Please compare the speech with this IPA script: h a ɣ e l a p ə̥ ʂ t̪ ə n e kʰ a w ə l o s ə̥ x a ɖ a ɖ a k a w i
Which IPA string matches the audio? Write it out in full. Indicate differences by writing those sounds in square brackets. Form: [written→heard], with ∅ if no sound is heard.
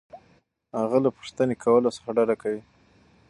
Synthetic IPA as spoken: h a ɣ [e→a] l a p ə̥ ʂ t̪ ə n e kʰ a w ə l o s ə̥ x a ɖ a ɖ a k a w i